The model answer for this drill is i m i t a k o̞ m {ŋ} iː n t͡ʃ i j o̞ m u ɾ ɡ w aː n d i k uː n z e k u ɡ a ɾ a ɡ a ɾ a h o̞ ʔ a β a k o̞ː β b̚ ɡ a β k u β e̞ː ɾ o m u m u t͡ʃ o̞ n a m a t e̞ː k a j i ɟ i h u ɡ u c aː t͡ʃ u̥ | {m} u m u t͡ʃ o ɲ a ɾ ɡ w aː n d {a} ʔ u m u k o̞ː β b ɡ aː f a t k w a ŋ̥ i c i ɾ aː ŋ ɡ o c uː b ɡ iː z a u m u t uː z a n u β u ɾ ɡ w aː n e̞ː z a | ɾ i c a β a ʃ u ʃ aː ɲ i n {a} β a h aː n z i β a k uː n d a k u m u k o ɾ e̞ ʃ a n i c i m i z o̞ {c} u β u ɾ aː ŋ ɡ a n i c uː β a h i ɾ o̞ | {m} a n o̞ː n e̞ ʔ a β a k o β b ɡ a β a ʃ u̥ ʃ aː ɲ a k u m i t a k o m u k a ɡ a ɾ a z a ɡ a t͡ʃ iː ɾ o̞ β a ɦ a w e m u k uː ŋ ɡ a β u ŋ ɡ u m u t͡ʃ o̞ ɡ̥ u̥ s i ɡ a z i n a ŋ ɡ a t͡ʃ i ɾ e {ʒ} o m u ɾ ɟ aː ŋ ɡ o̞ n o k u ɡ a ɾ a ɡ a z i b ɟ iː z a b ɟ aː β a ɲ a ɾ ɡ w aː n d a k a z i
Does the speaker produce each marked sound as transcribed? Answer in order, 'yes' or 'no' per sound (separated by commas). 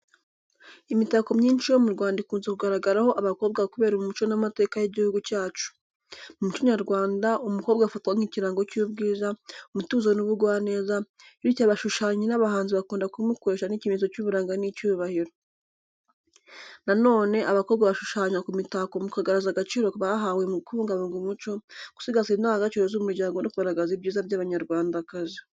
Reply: no, yes, yes, yes, yes, no, no